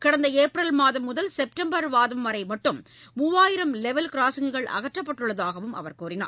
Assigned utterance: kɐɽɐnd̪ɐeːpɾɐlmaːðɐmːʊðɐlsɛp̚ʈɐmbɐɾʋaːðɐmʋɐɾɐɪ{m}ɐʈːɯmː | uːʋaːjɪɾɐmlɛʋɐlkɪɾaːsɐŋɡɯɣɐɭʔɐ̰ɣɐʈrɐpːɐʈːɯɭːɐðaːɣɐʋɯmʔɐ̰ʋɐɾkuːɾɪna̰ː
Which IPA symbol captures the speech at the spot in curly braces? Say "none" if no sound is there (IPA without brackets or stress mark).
m